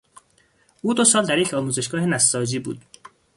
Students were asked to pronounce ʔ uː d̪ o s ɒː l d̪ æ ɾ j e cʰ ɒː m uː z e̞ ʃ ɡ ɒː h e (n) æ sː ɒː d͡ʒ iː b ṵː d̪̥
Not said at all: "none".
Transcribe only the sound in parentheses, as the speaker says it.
n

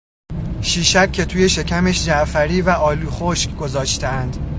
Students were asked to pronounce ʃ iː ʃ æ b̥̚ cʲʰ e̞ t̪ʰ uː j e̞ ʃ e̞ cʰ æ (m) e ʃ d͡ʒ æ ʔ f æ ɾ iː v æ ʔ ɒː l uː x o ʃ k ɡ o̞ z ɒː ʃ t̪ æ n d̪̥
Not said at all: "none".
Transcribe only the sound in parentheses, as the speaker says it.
m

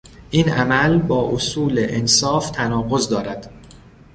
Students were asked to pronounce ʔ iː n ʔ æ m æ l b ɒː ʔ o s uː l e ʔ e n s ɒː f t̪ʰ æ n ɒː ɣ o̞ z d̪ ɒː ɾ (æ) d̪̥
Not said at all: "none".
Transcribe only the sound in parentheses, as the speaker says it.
æ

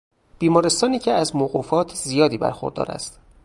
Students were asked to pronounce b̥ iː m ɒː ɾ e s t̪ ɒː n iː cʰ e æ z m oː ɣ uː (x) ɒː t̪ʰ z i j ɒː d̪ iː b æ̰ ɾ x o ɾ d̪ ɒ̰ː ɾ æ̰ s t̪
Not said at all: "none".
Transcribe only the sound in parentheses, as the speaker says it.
f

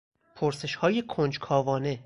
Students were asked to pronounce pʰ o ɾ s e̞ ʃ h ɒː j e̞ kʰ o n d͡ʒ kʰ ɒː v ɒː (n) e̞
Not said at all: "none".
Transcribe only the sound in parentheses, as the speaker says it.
n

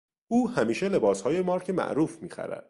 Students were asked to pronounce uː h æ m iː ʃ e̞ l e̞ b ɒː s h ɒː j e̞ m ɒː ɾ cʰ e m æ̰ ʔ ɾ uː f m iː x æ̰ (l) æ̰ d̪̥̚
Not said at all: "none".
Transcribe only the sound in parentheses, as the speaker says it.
ɾ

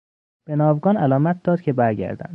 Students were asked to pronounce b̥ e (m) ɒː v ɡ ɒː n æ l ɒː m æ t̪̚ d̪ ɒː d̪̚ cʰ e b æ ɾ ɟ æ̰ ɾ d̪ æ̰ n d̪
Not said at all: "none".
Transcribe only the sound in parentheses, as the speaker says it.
n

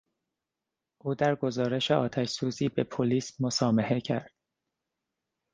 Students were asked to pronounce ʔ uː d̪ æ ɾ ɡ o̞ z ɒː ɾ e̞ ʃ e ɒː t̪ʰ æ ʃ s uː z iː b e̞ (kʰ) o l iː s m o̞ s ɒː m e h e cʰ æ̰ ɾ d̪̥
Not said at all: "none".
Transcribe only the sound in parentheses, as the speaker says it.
pʰ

